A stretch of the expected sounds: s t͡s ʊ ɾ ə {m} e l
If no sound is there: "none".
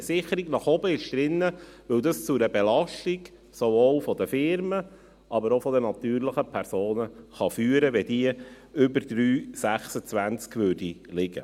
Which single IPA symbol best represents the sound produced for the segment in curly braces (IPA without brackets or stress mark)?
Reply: b